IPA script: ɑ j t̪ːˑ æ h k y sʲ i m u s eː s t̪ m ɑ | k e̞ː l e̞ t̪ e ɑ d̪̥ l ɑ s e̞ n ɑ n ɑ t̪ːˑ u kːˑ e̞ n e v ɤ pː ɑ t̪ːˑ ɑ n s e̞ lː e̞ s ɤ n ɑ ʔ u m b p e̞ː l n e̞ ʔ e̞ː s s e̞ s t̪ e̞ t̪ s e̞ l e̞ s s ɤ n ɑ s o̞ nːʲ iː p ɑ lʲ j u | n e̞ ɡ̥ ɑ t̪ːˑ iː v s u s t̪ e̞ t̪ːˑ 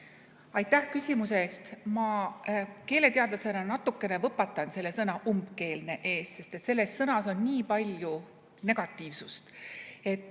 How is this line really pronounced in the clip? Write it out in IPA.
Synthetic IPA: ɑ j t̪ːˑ æ h k y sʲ i m u s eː s t̪ m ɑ | k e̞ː l e̞ t̪ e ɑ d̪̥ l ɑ s e̞ n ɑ n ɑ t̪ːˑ u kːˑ e̞ n e v ɤ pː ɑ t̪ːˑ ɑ n s e̞ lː e̞ s ɤ n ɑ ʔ u m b k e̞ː l n e̞ ʔ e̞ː s s e̞ s t̪ e̞ t̪ s e̞ lː e̞ s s ɤ n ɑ s o̞ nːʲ iː p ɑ lʲ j u | n e̞ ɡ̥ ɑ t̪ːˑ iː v s u s t̪ e̞ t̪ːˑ